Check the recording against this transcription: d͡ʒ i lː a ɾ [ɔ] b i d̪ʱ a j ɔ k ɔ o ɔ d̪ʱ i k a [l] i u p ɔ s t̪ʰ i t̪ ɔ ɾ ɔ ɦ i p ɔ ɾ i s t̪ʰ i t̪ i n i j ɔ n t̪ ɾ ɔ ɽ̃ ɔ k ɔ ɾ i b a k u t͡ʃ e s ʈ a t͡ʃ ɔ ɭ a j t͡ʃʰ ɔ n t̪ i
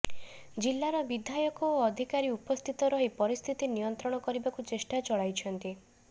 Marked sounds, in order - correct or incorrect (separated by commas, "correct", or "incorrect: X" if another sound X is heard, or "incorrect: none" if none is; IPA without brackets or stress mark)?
correct, incorrect: ɾ